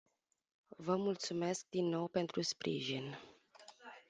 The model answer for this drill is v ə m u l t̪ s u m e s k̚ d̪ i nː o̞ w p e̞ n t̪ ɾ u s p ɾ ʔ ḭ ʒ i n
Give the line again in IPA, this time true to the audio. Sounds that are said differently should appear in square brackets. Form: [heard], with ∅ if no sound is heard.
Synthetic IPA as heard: v ə m u l t̪ s u m e s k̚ d̪ i nː o̞ w p e̞ n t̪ ɾ u s p ɾ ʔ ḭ ʒ i n

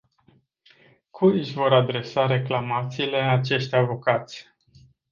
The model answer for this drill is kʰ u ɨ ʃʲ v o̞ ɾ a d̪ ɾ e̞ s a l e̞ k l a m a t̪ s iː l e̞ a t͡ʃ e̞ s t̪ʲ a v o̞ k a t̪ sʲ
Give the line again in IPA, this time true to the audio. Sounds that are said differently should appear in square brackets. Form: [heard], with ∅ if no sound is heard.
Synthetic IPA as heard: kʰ u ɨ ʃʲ v o̞ ɾ a d̪ ɾ e̞ s a [ɾ] e̞ k l a m a t̪ s iː l e̞ a t͡ʃ e̞ [ʃ] t̪ʲ a v o̞ k a t̪ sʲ

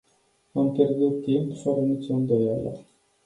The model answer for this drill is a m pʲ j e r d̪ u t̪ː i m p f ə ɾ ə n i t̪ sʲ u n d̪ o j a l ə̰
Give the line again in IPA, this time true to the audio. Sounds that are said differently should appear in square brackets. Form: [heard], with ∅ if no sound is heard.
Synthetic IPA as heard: a m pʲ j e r d̪ u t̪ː i m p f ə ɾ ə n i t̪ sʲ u n d̪ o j a l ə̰

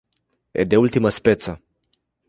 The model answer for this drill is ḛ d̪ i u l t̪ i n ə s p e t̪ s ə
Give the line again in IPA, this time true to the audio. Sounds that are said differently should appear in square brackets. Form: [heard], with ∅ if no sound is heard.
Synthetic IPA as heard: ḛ d̪ [e] u l t̪ i [m] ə s p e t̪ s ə

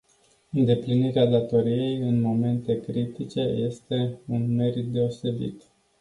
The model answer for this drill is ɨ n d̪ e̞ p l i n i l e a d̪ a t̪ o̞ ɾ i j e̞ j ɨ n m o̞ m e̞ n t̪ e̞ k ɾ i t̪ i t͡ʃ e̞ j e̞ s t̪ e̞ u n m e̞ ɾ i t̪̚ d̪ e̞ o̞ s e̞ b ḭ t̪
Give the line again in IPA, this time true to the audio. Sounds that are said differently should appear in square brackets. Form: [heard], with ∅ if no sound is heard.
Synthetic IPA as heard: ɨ n d̪ e̞ p l i n i [ɾ] e a d̪ a t̪ o̞ ɾ i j e̞ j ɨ n m o̞ m e̞ n t̪ e̞ k ɾ i t̪ i t͡ʃ e̞ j e̞ s t̪ e̞ u n m e̞ ɾ i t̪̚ d̪ e̞ o̞ s e̞ b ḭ t̪

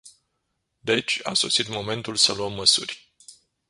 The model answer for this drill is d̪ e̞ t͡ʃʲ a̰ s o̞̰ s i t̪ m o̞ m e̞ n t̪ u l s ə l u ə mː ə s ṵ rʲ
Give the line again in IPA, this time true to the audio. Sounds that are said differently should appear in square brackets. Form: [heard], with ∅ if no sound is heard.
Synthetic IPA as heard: d̪ e̞ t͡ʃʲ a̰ s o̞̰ s i t̪ m o̞ m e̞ n t̪ u l s ə l u ə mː ə s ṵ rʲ

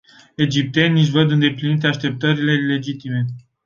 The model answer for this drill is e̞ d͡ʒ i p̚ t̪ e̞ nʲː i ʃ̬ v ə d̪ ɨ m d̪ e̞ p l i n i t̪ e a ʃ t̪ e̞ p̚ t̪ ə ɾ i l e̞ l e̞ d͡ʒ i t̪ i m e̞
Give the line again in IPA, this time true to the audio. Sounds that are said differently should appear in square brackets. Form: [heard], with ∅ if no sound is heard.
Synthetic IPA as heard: e̞ d͡ʒ i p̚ t̪ e̞ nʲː i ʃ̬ v ə d̪ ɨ [n] d̪ e̞ p l i n i t̪ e a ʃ t̪ e̞ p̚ t̪ ə ɾ i l e̞ l e̞ d͡ʒ i t̪ i m e̞

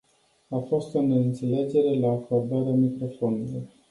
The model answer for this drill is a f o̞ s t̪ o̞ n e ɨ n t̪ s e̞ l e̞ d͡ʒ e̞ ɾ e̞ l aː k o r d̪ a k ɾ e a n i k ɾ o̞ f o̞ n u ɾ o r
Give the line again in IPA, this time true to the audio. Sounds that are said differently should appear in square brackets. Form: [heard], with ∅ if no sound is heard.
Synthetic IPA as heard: a f o̞ s t̪ o̞ n e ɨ n t̪ s e̞ l e̞ d͡ʒ e̞ ɾ e̞ l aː k o r d̪ a [∅] ɾ e a [m] i k ɾ o̞ f o̞ n u [l] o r

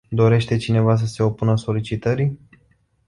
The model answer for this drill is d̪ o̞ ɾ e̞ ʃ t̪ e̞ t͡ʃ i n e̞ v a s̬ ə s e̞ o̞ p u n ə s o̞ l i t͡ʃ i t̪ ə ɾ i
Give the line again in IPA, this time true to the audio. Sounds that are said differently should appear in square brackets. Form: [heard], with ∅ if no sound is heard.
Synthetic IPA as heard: d̪ o̞ ɾ e̞ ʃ t̪ e̞ t͡ʃ i n e̞ v a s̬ ə s e̞ o̞ p u n ə s o̞ l i t͡ʃ i t̪ ə ɾ i

